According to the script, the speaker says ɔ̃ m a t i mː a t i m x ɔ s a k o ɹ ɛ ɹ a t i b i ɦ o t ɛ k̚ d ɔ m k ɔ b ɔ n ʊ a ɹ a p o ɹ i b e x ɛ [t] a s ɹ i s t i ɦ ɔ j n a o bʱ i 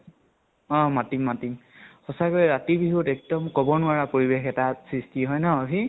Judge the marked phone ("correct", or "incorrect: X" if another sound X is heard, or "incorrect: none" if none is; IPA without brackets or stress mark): correct